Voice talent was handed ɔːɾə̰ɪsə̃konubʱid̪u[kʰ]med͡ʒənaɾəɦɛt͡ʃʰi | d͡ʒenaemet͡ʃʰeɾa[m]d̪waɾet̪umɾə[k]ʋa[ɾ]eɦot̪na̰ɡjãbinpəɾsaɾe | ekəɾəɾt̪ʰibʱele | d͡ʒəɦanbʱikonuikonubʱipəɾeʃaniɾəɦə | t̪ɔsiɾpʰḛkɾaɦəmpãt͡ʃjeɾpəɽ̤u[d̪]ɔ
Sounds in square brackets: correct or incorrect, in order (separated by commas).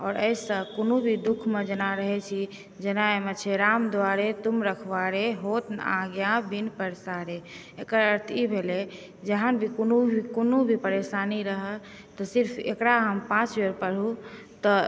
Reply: correct, correct, incorrect, correct, incorrect